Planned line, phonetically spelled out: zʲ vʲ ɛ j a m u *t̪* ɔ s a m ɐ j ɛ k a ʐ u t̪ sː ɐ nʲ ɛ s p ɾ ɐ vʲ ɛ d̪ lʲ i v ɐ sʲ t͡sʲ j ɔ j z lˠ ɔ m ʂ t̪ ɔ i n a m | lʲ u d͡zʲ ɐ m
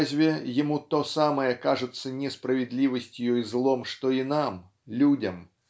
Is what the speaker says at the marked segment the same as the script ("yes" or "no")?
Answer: yes